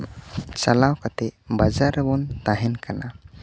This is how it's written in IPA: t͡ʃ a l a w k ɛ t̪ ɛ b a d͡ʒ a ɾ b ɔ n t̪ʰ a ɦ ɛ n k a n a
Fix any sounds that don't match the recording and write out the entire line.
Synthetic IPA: t͡ʃ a l a w k a t̪ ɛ b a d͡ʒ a ɾ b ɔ n t̪ a ɦ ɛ n k a n a